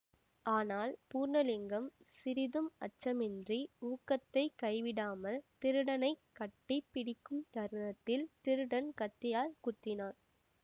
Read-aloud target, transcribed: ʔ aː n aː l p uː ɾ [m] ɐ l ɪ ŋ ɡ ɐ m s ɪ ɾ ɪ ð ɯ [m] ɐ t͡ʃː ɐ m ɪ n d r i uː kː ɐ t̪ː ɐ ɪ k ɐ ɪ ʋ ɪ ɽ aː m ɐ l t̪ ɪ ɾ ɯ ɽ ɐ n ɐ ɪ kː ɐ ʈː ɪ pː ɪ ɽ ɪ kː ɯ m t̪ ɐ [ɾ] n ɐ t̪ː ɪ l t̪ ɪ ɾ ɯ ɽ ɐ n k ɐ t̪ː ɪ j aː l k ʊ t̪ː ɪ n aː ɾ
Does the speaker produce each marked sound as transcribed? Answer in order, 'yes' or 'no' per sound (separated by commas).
no, yes, yes